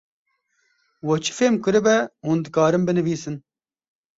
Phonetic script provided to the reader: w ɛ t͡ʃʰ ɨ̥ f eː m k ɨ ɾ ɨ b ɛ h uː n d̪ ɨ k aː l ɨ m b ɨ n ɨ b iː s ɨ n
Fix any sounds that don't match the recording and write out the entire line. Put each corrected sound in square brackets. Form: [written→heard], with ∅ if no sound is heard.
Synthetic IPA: w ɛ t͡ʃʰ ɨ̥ f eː m k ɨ ɾ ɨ b ɛ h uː n d̪ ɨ k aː [l→ɾ] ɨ m b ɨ n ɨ [b→v] iː s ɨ n